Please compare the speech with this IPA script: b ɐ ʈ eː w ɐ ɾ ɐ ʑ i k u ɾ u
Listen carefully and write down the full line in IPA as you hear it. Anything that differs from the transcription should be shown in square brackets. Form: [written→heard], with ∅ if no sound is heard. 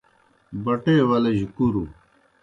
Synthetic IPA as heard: b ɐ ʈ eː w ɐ [ɾ→l] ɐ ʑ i k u ɾ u